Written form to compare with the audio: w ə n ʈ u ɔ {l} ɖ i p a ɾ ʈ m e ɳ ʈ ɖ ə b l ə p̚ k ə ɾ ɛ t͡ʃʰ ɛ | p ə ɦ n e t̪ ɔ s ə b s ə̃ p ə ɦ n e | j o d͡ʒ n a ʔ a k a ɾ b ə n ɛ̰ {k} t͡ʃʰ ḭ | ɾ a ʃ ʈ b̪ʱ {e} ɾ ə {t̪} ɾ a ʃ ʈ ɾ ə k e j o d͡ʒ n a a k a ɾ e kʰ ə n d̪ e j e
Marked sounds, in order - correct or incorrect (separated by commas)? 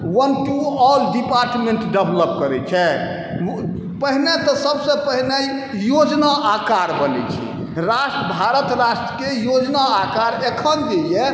correct, incorrect, incorrect, correct